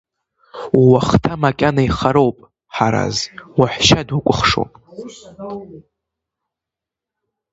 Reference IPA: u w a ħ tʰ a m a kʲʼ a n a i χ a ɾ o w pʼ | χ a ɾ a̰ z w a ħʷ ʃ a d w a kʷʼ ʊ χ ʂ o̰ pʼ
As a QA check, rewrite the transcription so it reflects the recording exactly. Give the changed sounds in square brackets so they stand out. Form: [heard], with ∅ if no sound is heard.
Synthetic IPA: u w a [χ] tʰ a m a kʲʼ a n a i χ a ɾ o w pʼ | [ħ] a ɾ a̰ z w a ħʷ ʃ a d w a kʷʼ ʊ χ ʂ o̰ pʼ